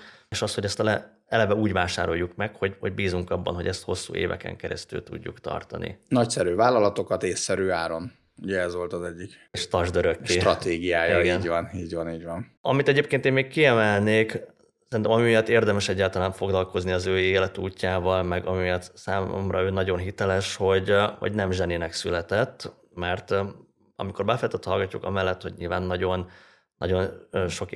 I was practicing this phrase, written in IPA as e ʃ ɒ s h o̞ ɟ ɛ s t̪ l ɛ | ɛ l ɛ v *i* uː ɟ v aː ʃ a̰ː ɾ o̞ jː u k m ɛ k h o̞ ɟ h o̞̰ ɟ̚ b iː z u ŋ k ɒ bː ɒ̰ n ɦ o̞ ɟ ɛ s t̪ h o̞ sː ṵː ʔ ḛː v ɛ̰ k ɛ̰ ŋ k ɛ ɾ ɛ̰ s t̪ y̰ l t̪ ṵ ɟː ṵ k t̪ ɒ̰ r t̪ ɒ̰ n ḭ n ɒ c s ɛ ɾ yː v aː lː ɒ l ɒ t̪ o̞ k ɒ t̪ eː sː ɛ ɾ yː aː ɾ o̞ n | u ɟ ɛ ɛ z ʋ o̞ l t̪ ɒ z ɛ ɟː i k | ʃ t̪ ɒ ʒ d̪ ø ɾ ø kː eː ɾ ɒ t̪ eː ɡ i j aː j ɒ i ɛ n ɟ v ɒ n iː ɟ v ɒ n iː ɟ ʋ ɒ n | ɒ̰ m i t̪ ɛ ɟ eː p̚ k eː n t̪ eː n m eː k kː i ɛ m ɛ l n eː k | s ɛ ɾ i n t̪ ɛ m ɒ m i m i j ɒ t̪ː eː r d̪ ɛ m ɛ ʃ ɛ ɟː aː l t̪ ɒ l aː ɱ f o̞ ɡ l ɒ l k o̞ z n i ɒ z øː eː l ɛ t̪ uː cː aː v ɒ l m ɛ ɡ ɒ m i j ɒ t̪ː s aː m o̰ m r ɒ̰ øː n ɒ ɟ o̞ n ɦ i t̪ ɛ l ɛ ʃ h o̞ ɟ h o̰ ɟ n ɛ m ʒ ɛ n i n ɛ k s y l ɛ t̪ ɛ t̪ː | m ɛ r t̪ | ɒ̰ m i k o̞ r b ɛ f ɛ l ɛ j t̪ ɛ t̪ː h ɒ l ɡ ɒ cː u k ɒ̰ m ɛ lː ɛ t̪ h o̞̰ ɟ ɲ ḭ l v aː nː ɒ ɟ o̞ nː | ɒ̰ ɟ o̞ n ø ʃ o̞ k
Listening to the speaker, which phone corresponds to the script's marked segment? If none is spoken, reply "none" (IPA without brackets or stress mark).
ɛ